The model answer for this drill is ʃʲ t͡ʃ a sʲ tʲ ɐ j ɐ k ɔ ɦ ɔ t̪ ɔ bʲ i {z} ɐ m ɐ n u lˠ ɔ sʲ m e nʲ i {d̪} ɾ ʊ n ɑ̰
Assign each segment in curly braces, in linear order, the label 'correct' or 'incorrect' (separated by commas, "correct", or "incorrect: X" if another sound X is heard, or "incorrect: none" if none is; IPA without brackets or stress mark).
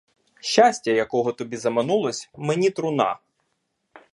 correct, incorrect: t̪